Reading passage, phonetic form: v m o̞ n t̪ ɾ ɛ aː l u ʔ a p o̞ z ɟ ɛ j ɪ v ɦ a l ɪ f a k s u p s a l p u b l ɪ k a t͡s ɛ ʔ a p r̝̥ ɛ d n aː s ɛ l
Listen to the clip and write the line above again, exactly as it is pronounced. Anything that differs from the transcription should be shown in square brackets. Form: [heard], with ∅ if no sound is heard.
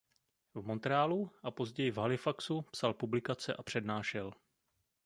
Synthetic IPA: v m o̞ n t̪ ɾ ɛ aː l u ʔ a p o̞ z ɟ ɛ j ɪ v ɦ a l ɪ f a k s u p s a l p u b l ɪ k a t͡s ɛ ʔ a p r̝̥ ɛ d n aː [ʃ] ɛ l